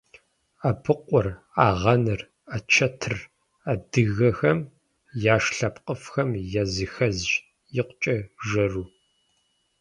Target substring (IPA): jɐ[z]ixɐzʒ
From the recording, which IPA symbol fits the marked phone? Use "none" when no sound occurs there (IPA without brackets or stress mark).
z